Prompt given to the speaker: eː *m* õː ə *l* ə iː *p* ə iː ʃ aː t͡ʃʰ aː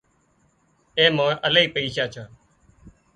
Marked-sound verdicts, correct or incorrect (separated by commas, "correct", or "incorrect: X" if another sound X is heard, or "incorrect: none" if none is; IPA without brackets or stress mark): correct, correct, correct